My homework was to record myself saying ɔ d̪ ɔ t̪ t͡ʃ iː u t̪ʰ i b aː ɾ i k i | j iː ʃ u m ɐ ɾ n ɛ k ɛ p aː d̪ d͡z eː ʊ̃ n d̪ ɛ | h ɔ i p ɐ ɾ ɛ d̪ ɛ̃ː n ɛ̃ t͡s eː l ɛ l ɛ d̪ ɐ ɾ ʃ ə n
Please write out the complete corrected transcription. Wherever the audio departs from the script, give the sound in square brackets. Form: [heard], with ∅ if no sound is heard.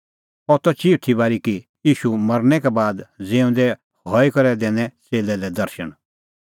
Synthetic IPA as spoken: ɔ [t̪] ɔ [∅] t͡ʃ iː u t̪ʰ i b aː ɾ i k i | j iː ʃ u m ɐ ɾ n ɛ k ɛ [b] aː d̪ d͡z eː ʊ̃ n d̪ ɛ | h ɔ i [k] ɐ ɾ ɛ d̪ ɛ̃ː n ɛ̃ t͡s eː l ɛ l ɛ d̪ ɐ ɾ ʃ ə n